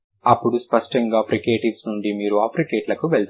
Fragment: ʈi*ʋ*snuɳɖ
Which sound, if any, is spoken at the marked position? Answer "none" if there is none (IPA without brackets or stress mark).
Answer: ʋ